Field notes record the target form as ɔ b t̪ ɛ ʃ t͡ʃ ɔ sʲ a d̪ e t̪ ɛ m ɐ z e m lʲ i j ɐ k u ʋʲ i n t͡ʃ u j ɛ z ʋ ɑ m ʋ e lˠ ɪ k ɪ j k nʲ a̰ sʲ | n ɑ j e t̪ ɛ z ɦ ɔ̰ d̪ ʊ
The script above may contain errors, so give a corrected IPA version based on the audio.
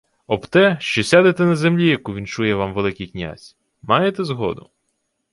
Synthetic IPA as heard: ɔ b t̪ ɛ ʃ t͡ʃ ɔ sʲ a d̪ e t̪ ɛ n ɐ z e m lʲ i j ɐ k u ʋʲ i n t͡ʃ u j ɛ ʋ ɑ m ʋ e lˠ ɪ k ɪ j k nʲ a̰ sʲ | m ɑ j e t̪ ɛ z ɦ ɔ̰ d̪ ʊ